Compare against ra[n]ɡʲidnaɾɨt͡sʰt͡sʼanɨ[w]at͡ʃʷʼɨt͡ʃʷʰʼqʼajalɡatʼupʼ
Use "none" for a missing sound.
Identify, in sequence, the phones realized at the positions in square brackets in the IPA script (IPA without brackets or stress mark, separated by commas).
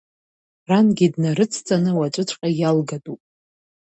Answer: n, w